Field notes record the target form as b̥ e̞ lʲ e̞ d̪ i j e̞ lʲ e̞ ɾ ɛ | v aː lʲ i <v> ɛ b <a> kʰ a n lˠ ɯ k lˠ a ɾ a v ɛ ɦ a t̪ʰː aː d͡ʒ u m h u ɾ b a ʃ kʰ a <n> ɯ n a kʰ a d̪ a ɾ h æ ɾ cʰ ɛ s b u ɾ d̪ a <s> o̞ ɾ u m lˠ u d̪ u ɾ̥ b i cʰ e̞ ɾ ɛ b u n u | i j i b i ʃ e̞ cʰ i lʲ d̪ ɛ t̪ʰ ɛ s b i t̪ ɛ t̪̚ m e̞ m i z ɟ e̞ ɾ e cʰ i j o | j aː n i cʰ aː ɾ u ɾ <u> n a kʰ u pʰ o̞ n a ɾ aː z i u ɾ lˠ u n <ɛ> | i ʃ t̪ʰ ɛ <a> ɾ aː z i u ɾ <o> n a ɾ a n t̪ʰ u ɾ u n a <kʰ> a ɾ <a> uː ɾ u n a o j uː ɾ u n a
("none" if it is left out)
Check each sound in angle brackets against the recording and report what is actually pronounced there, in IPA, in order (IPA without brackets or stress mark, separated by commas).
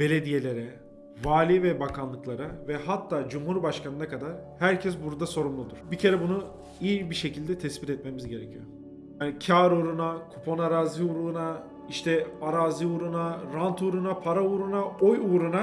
v, a, n, s, u, a, a, u, pʰ, a